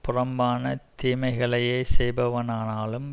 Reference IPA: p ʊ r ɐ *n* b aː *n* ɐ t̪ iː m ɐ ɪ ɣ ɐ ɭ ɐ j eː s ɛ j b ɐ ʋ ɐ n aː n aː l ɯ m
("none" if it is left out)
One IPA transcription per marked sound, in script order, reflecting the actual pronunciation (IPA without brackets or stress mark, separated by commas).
m, n